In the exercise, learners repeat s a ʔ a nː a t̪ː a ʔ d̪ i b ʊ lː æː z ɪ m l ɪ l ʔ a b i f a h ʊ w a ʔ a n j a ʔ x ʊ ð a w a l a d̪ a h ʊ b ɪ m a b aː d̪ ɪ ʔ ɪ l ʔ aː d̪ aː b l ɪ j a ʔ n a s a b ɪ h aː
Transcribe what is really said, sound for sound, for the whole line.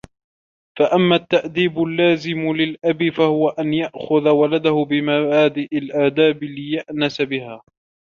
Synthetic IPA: f a ʔ a mː a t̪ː a ʔ d̪ iː b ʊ lː aː z ɪ m l ɪ l ʔ a b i f a h ʊ w a ʔ a n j a ʔ x ʊ ð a w a l a d̪ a h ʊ b ɪ m a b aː d̪ ɪ ʔ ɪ l ʔ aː d̪ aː b l ɪ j a ʔ n a s a b ɪ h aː